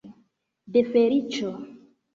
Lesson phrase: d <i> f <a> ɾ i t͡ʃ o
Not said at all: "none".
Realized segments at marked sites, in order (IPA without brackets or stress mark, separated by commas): e, e